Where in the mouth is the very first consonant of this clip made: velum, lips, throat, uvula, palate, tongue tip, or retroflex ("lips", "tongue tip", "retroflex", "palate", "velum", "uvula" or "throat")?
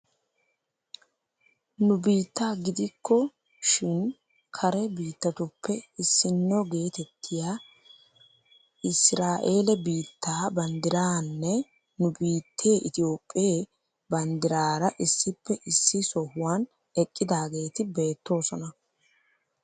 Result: tongue tip